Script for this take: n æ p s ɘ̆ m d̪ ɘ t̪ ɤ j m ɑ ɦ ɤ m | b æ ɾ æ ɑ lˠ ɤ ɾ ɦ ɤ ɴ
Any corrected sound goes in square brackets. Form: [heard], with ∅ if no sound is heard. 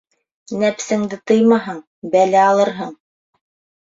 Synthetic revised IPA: n æ p s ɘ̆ [ŋ] d̪ ɘ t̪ ɤ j m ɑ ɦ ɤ [ɴ] | b æ [l] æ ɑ lˠ ɤ ɾ ɦ ɤ ɴ